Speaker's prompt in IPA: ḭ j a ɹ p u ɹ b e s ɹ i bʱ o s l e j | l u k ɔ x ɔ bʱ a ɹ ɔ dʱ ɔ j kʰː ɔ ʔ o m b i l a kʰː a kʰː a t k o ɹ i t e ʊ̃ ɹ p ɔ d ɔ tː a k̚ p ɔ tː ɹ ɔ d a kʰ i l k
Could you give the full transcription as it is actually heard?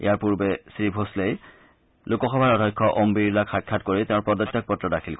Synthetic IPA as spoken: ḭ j a ɹ p u ɹ b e s ɹ i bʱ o s l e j | l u k ɔ x ɔ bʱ a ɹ ɔ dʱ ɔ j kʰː ɔ ʔ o m b i l a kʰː a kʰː a t k o ɹ i t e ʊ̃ ɹ p ɔ d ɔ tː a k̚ p ɔ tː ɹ ɔ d a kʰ i l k